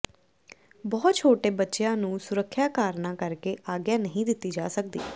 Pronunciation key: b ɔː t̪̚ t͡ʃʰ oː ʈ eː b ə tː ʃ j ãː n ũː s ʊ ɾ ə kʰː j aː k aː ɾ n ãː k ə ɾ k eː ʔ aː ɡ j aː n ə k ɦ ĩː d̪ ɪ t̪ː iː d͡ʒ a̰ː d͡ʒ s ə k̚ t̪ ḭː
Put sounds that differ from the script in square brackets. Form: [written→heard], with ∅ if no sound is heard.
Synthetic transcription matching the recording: b ɔː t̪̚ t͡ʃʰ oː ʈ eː b ə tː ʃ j ãː n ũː s ʊ ɾ ə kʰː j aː k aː ɾ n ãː k ə ɾ k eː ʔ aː ɡ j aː n ə [k→∅] ɦ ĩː d̪ ɪ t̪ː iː d͡ʒ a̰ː [d͡ʒ→∅] s ə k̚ [t̪→d̪] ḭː